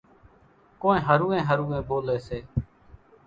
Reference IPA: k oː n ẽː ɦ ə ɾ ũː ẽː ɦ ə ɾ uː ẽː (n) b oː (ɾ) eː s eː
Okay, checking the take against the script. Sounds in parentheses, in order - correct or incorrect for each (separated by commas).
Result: incorrect, incorrect